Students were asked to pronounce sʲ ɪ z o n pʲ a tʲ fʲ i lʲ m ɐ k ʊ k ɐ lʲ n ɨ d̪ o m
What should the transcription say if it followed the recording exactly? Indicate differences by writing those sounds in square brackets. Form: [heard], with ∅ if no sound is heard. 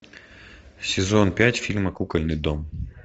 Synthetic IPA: sʲ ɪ z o n pʲ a tʲ fʲ i lʲ m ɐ k [u] k ɐ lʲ n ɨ d̪ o m